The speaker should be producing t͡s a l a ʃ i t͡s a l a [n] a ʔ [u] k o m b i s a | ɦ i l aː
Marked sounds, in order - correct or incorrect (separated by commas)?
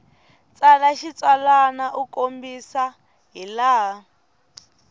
correct, correct